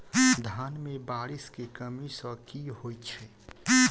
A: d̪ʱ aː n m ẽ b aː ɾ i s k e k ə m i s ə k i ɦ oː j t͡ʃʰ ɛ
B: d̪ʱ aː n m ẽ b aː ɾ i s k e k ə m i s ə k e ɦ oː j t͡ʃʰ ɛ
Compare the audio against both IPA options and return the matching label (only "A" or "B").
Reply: A